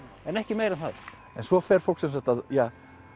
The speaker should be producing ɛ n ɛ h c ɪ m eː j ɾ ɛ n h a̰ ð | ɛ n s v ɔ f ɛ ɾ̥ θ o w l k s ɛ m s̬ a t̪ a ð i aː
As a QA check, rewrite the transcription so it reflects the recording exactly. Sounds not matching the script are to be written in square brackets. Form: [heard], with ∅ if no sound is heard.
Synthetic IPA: ɛ n ɛ h c ɪ m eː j ɾ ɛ n [θ] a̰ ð | ɛ n s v ɔ f ɛ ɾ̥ [f] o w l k s ɛ m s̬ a t̪ a ð [j] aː

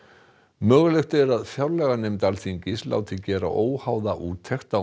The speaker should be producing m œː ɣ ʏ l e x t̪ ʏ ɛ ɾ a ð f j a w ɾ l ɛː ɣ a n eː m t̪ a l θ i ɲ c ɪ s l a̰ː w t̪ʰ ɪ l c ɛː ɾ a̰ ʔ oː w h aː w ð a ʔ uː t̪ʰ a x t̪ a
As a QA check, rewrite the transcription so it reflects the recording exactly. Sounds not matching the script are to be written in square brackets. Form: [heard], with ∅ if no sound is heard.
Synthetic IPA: m œː ɣ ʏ l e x t̪ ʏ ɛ ɾ a ð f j a w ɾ l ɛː ɣ a n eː m t̪ a l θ i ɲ c ɪ s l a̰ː w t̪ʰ ɪ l c ɛː ɾ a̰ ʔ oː w h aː w ð a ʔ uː t̪ʰ [ɛ] x t̪ a

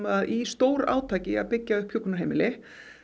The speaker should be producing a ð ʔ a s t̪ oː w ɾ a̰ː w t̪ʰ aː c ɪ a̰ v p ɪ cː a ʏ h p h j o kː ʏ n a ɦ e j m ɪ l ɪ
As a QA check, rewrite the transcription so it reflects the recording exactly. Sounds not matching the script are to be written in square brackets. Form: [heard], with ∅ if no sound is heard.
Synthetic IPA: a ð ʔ [i] s t̪ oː w ɾ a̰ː w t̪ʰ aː c ɪ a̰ [ð] p ɪ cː a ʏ h p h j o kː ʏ n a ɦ e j m ɪ l ɪ

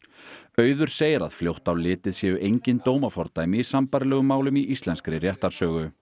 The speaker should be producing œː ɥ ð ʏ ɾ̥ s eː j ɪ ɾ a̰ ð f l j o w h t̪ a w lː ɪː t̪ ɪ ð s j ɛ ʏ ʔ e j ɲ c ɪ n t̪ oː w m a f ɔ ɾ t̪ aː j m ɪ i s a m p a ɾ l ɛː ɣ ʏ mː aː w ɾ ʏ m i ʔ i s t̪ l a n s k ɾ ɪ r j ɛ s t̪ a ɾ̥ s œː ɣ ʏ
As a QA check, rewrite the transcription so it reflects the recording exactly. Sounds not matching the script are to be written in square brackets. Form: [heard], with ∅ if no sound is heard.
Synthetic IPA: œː ɥ ð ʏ ɾ̥ s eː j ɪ ɾ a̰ ð f l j o w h t̪ a w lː ɪː t̪ ɪ ð s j ɛ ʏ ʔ e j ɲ c ɪ n t̪ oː w m a f ɔ ɾ t̪ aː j m ɪ i s a m p a ɾ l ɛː ɣ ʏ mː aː w [l] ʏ m i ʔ i s t̪ l [ɛ] n s k ɾ ɪ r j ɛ [h] t̪ a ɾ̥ s œː ɣ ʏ

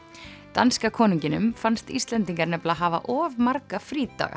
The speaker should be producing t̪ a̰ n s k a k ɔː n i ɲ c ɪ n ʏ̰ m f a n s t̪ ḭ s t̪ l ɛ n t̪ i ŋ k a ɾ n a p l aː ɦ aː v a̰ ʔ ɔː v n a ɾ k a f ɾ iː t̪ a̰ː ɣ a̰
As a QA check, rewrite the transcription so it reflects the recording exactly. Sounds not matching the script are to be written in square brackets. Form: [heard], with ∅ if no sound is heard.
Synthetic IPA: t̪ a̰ n s k a [kʰ] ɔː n i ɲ c ɪ n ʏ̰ m f a n s t̪ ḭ s t̪ l ɛ n t̪ i ŋ k a ɾ n [ɛ] p l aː ɦ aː v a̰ ʔ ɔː v [m] a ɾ k a f ɾ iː t̪ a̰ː ɣ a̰

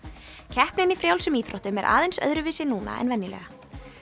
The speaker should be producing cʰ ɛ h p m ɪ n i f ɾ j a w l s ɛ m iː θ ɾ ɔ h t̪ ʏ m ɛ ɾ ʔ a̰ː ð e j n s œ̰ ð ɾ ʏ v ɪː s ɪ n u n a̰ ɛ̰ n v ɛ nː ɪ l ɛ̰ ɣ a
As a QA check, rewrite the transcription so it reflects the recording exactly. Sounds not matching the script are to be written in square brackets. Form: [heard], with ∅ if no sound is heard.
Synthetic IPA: cʰ ɛ h p [n] ɪ n i f ɾ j a w l s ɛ m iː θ ɾ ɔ h t̪ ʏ m ɛ ɾ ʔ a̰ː ð e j n s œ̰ ð ɾ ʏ v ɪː s ɪ n [uː] n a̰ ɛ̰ n v ɛ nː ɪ l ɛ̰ ɣ a

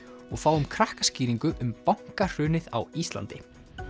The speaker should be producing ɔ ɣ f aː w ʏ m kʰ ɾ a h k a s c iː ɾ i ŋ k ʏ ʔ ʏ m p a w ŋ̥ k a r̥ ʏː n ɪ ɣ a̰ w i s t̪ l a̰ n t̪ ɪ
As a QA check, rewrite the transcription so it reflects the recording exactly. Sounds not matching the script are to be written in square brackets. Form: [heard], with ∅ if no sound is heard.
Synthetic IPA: ɔ ɣ f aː w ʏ m kʰ ɾ a h k a s c iː ɾ i ŋ k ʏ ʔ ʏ m p a w ŋ̥ k a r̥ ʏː n ɪ [ð] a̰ w i s t̪ l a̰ n t̪ ɪ

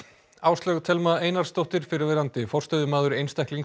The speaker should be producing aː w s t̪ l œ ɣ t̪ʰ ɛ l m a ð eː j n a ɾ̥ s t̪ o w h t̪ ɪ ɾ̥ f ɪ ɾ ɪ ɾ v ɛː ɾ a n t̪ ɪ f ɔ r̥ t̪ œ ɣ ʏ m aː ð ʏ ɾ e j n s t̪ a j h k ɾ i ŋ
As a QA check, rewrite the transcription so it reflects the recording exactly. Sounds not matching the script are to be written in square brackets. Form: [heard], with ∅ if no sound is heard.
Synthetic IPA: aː w s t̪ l œ ɣ t̪ʰ ɛ l m a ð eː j n a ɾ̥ s t̪ o w h t̪ ɪ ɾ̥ f ɪ ɾ ɪ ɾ v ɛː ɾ a n t̪ ɪ f ɔ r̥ t̪ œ [ð] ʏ m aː ð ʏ ɾ e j n s t̪ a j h k [l] i ŋ

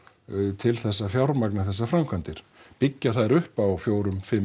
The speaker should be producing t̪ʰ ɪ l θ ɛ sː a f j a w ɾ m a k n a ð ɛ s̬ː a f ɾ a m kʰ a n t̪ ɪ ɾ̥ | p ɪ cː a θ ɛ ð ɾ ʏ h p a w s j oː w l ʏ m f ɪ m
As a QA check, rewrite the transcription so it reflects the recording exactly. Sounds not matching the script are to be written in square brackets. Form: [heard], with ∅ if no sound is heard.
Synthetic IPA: t̪ʰ ɪ l θ ɛ sː a f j a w ɾ m a k n a [θ] ɛ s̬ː a f ɾ a m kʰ a n t̪ ɪ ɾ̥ | p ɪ cː a θ [a] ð ɾ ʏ h p a w [f] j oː w [ɾ] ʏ m f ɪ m

